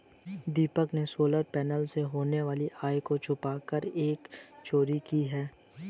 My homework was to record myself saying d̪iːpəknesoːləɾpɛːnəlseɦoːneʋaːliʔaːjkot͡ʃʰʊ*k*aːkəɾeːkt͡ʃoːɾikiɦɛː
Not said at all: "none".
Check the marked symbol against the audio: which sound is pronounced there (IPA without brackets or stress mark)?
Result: p